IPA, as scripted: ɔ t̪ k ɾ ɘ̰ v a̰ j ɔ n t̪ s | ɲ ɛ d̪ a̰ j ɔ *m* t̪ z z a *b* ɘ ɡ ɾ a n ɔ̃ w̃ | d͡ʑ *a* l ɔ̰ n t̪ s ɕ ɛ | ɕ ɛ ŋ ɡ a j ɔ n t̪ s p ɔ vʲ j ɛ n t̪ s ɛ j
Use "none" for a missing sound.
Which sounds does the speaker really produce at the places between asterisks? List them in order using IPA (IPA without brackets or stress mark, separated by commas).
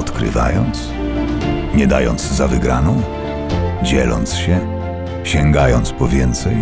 n, v, ɛ